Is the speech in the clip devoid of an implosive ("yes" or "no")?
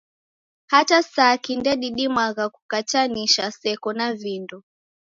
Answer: no